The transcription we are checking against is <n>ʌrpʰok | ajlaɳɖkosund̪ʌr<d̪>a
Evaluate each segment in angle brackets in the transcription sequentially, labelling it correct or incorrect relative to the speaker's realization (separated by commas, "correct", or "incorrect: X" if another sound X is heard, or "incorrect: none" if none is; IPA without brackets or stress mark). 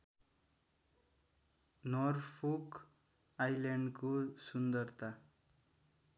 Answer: correct, incorrect: t̪